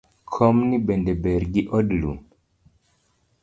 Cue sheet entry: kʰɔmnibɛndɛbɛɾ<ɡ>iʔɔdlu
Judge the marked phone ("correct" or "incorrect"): correct